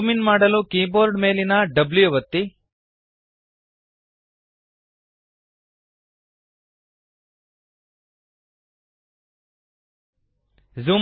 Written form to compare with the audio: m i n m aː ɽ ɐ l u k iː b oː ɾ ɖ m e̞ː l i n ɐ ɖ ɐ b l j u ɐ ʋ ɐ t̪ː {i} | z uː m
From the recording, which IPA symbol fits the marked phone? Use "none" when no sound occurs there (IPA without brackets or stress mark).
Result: i